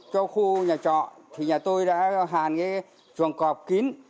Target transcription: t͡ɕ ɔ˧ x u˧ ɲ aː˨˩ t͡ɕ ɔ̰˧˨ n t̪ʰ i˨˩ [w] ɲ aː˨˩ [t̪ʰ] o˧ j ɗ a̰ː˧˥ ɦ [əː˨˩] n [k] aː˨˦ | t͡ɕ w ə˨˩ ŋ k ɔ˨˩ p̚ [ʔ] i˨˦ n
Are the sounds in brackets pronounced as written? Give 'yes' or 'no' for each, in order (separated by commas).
no, no, no, yes, no